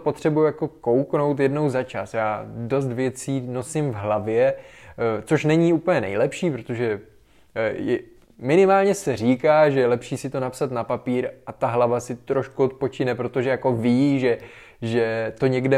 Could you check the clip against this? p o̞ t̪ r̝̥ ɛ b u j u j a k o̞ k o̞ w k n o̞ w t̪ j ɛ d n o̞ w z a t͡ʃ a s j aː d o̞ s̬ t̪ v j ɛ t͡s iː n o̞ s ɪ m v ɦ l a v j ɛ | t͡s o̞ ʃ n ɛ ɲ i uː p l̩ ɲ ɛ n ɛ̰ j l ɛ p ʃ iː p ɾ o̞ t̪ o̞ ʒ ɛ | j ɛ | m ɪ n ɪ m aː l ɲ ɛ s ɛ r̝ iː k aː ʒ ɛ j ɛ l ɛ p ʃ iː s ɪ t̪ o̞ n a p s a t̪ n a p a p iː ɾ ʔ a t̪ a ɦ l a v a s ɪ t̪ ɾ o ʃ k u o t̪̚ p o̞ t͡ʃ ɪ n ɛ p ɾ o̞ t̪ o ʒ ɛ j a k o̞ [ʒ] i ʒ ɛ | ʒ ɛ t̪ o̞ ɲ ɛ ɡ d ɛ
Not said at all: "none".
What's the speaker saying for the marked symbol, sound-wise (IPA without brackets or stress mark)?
v